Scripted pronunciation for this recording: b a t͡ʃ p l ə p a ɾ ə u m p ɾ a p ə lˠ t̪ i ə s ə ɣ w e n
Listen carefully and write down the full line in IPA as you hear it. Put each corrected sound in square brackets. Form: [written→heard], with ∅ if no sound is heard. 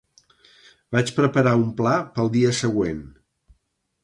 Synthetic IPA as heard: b a t͡ʃ p [l→ɾ] ə p [a→ə] ɾ [ə→a] u m p [ɾ→l] a p ə lˠ [t̪→d̪] i ə s ə ɣ w e n